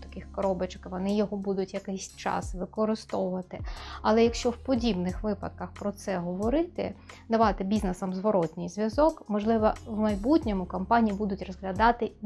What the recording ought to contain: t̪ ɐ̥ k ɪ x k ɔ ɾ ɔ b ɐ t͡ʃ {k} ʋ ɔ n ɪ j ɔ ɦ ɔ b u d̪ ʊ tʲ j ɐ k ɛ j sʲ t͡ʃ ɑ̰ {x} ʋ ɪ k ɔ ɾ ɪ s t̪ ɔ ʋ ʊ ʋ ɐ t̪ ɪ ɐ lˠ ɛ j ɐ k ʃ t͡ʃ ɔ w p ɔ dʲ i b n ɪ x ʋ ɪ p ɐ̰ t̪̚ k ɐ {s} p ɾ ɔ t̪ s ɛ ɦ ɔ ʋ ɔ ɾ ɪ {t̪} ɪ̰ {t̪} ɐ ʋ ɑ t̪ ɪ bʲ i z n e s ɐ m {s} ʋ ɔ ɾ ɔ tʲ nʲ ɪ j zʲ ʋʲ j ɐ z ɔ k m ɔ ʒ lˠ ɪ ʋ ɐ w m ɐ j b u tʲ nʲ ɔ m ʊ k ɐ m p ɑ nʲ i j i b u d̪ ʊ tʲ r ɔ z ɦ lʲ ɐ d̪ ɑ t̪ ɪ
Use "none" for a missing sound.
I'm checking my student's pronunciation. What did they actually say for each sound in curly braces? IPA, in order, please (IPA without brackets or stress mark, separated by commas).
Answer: k, s, x, t̪, d̪, z